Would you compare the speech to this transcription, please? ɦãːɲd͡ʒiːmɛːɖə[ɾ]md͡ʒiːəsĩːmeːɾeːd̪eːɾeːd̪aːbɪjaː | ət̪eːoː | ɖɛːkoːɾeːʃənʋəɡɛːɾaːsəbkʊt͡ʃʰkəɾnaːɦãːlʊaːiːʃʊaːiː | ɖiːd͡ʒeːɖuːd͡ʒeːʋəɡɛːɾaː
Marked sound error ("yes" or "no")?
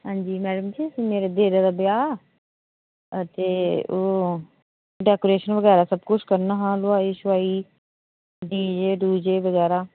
yes